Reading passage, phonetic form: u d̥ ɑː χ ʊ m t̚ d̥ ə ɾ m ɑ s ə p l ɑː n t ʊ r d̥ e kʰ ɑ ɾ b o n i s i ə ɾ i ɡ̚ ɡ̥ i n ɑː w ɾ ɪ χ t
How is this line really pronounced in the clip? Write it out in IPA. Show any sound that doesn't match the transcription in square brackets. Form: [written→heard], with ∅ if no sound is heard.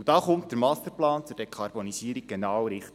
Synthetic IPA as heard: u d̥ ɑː χ ʊ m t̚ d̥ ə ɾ m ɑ s ə p l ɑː n [t→t͡s] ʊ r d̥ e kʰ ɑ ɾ b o n i s i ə ɾ i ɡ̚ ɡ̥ [i→e] n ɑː w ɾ ɪ χ t

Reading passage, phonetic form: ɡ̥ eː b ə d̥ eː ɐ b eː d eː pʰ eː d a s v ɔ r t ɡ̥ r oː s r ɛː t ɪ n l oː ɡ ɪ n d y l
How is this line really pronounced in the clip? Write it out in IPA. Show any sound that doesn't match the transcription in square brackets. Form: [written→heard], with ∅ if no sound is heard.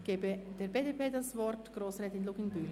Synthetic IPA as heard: ɡ̥ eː b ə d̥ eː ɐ b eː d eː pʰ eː d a s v ɔ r t ɡ̥ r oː s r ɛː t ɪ n l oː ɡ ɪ n [d→b] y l

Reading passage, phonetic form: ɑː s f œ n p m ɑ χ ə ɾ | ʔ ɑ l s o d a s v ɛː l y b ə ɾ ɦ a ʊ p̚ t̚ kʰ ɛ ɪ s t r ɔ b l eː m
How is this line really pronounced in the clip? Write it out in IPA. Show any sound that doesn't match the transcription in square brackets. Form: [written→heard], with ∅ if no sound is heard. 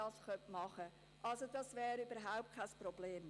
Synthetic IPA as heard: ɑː s [f→χ] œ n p m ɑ χ ə [ɾ→∅] | ʔ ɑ l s o d [a→ɑ] s v ɛː [l→ɾ] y b ə ɾ ɦ a ʊ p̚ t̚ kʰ [ɛ→a] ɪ s [t→p] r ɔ b l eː m

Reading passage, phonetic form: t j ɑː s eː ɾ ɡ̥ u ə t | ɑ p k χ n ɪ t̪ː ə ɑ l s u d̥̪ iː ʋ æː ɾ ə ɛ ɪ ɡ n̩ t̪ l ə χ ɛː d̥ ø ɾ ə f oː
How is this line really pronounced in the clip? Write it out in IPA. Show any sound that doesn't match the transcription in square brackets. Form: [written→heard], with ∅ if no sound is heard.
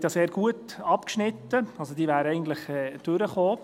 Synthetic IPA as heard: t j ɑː s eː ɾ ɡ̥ u ə t | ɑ p k [χ→ʃ] n ɪ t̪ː ə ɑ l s [u→o] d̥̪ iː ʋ æː ɾ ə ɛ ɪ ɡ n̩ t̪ l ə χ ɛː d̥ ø ɾ ə [f→χ] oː

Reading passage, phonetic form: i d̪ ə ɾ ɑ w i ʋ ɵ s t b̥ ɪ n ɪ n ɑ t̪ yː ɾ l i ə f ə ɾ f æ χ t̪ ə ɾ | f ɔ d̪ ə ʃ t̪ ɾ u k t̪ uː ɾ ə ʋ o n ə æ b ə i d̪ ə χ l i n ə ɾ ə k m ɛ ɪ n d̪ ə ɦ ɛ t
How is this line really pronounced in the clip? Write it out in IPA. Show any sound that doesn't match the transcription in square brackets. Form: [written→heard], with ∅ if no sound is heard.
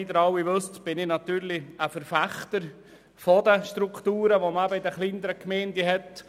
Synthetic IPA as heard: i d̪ ə ɾ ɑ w i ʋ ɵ s t b̥ ɪ n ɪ n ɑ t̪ yː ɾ l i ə f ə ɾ f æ χ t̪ ə ɾ | f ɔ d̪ ə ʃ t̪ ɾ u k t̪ uː ɾ ə ʋ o [n→m] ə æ b ə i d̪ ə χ l i n ə ɾ ə k m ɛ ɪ n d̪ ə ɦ ɛ t

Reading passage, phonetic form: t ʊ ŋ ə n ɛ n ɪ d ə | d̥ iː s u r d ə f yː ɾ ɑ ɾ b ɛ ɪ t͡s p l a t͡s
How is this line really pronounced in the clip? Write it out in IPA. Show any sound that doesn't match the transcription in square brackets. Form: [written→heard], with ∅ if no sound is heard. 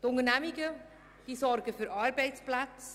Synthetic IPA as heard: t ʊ ŋ ə n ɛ [n→m] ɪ [d→ɡ] ə | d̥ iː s [u→ɔ] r [d→ɡ] ə f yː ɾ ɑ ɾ b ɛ ɪ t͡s p l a t͡s

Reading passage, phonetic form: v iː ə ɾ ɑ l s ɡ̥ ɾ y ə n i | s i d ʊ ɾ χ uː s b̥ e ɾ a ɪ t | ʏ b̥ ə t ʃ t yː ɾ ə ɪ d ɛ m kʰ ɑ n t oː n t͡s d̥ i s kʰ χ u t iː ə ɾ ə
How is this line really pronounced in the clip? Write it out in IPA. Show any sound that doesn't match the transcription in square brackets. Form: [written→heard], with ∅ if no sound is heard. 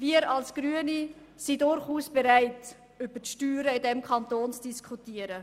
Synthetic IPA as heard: v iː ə ɾ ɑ l s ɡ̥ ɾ y ə n i | s i d ʊ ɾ χ uː s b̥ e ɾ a ɪ t | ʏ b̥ ə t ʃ t yː ɾ ə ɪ d ɛ m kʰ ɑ n t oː n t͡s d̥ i s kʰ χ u t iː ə ɾ ə

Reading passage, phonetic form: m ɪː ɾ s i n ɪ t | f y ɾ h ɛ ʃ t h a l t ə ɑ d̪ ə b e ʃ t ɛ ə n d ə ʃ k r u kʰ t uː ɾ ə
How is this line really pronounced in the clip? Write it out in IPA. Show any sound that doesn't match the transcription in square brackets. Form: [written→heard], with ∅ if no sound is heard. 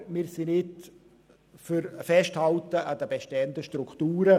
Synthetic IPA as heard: m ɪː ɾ s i n ɪ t | f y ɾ [h→f] ɛ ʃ t h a l t ə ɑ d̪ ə b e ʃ t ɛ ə n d ə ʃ [k→t] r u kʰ t uː ɾ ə

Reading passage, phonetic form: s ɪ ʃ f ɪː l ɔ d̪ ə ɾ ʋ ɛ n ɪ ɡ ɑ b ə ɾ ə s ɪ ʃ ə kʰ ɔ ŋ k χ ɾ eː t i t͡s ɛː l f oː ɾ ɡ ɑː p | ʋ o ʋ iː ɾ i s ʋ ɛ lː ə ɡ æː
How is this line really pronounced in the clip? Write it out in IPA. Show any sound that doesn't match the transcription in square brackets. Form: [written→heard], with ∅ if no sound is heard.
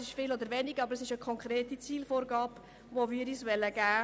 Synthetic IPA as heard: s ɪ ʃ f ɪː l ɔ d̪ ə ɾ ʋ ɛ n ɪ ɡ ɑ b ə ɾ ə s ɪ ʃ ə kʰ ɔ ŋ k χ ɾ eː t i t͡s [ɛː→iː] l f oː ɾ ɡ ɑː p | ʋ o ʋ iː ɾ i s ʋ ɛ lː ə ɡ æː

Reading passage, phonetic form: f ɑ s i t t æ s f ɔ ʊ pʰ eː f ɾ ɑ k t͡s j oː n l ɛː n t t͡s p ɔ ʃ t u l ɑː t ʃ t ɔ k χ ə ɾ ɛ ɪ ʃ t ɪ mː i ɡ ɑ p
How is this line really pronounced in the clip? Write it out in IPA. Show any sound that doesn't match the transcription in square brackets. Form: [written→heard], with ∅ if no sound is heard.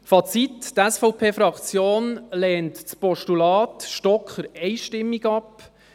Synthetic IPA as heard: f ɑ [s→t͡s] i t t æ s f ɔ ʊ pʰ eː f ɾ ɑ k t͡s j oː n l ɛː n t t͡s p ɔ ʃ t u l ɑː t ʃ t ɔ k χ ə ɾ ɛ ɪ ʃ t ɪ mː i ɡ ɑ p

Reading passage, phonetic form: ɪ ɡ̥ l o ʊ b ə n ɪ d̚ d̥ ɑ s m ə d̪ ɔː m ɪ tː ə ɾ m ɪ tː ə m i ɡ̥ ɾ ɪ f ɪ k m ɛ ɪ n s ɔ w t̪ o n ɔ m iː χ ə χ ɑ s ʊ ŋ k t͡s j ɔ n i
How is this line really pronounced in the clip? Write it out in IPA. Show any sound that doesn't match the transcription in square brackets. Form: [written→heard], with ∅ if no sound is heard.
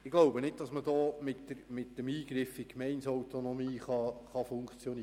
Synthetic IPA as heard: ɪ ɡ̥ l o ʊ b ə n ɪ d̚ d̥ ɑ s m ə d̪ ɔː m ɪ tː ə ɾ m ɪ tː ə m [i→iː] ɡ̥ ɾ ɪ f ɪ k m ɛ ɪ n s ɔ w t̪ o n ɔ m iː χ [ə→ɑ] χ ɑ [s→f] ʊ ŋ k t͡s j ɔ n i

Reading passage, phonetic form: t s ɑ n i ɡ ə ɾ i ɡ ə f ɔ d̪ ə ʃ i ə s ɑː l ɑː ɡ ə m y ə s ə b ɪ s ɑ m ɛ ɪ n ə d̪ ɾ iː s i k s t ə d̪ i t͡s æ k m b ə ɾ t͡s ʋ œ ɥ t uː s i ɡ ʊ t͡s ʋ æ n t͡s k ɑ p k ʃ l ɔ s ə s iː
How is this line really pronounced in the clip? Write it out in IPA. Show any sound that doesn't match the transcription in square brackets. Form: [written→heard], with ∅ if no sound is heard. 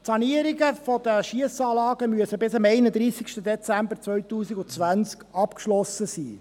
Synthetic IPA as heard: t s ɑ n i [ɡ→∅] ə ɾ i ɡ ə f ɔ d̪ ə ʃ i ə s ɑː l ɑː ɡ ə m y ə s ə b ɪ s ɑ m ɛ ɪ n ə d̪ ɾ iː s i k [s→ʃ] t ə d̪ [i→ɛ] t͡s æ [k→∅] m b ə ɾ t͡s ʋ œ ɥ t uː s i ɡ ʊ t͡s ʋ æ n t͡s k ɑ p k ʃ l ɔ s ə s iː

